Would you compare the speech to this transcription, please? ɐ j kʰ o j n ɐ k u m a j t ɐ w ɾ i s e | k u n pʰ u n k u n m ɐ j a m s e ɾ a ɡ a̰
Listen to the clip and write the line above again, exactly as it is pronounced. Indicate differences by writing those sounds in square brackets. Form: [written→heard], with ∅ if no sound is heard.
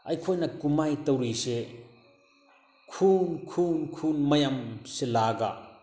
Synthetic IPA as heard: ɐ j kʰ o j n ɐ k u m a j t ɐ w ɾ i s e | [k→kʰ] u n [pʰ→kʰ] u n [k→kʰ] u n m ɐ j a m s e [ɾ→l] a ɡ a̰